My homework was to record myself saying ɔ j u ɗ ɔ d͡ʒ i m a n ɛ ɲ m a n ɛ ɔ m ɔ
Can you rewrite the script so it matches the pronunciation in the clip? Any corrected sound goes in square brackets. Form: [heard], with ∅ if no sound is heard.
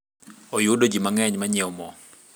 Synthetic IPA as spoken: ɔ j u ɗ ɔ d͡ʒ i m a [ŋ] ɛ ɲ m a [ɲ] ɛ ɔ m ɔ